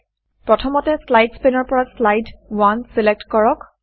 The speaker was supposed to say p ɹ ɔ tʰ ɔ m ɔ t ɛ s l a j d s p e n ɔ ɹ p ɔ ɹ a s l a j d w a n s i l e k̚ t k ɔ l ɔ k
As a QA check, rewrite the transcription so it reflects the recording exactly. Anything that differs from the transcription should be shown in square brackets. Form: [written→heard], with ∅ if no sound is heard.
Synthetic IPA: p ɹ ɔ tʰ ɔ m ɔ t ɛ s l a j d s p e n ɔ ɹ p ɔ ɹ a s l a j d w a n s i l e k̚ t k ɔ [l→ɹ] ɔ k

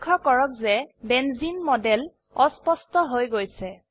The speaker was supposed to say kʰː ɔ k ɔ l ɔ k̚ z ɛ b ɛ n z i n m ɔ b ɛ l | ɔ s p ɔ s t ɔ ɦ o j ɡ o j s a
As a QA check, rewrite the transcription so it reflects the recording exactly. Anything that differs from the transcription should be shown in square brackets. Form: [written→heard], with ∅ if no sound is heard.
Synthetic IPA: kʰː ɔ k ɔ [l→ɹ] ɔ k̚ z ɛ b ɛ n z i n m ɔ [b→d] ɛ l | ɔ s p ɔ s t ɔ ɦ o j ɡ o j s [a→ɛ]

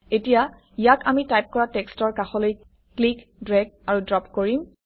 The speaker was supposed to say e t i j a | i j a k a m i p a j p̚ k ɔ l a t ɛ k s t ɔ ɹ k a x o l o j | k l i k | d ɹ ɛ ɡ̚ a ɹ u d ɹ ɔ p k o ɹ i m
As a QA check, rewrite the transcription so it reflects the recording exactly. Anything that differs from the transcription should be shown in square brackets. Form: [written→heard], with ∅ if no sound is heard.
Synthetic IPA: e t i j a | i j a k a m i [p→t] a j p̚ k ɔ [l→ɹ] a t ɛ k s t ɔ ɹ k a x [o→ɔ] l o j | k l i k | d ɹ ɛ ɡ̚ a ɹ u d ɹ ɔ p k o ɹ i m

